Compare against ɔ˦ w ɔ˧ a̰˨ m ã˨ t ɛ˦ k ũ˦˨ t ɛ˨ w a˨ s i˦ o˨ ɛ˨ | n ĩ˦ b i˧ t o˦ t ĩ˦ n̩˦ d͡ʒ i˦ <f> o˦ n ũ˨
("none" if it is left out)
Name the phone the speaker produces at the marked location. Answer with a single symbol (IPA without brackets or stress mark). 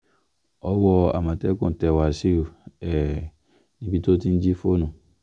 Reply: f